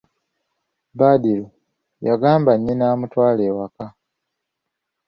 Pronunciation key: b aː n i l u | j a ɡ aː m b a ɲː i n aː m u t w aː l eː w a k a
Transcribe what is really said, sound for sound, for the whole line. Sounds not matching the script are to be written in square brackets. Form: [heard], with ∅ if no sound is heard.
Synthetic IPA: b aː [d] i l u | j a ɡ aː m b a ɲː i n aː m u t w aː l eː w a k a